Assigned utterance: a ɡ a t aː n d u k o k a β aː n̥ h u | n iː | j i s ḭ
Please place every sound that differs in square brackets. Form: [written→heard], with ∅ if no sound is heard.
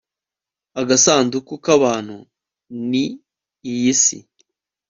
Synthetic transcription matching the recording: a ɡ a [t→s] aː n d u k [o→u] k a β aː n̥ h u | n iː | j i s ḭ